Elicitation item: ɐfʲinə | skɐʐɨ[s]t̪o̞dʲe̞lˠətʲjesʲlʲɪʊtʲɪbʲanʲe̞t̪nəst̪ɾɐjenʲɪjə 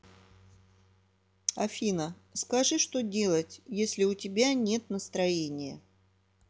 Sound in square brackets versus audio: incorrect: ʂ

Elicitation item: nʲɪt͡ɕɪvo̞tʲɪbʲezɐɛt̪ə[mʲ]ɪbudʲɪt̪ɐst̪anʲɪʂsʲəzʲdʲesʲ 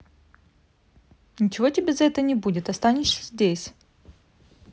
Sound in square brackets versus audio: incorrect: nʲ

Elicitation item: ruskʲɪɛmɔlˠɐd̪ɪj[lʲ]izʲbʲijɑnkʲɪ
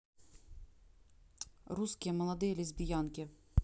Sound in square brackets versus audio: correct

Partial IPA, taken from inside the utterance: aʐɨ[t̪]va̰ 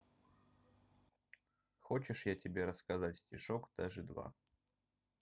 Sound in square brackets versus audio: incorrect: d̪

